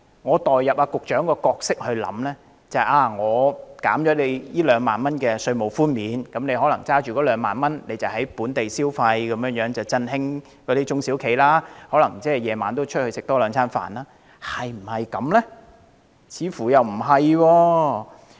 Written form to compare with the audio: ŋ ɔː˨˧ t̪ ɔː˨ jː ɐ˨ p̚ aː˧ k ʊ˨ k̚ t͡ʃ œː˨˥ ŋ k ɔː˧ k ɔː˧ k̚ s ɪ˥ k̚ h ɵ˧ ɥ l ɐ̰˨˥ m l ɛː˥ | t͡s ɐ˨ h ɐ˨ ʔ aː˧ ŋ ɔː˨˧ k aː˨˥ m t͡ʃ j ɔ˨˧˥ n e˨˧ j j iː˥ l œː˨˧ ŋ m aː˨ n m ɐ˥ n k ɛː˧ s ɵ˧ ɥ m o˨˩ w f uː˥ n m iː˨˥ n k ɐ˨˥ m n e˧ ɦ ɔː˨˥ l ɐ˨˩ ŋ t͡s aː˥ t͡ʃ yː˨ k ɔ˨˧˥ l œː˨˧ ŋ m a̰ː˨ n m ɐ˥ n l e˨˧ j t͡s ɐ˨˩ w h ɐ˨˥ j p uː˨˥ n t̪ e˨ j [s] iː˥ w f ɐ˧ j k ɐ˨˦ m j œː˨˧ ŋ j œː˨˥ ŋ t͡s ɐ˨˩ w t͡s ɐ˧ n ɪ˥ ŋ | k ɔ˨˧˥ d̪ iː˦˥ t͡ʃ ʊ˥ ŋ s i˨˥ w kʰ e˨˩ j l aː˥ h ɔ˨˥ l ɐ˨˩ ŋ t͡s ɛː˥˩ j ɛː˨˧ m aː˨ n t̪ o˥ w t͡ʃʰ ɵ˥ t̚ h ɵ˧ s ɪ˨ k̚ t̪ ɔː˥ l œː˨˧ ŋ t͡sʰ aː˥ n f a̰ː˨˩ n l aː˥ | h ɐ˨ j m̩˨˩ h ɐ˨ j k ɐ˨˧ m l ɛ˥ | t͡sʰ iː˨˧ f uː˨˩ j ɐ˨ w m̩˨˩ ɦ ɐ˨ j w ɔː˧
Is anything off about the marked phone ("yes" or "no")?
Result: no